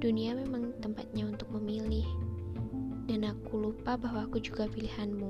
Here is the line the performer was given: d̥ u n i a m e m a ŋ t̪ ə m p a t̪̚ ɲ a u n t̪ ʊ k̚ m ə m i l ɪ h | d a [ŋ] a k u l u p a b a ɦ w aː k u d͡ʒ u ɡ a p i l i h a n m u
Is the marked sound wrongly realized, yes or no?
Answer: yes